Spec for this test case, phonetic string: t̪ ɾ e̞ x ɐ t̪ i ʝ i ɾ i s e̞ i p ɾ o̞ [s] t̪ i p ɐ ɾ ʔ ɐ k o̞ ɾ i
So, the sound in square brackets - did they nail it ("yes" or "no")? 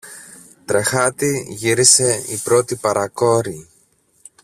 no